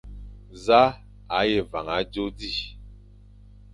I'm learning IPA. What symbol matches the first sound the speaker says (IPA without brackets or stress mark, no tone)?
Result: z